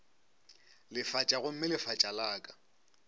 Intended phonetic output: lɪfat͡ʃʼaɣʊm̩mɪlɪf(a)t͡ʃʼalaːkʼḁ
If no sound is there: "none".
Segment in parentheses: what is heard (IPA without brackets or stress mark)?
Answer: a